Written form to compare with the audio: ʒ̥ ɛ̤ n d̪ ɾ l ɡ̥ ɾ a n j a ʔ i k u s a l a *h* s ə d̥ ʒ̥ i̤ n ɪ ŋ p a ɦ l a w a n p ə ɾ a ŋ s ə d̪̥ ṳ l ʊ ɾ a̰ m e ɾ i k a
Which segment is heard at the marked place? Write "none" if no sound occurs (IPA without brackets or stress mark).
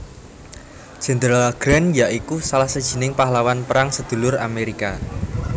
h